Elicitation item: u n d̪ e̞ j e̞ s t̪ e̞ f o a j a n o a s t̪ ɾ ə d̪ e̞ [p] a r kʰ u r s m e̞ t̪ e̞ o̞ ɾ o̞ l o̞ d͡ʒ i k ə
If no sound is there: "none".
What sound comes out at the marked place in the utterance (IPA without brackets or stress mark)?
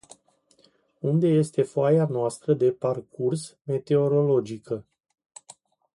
p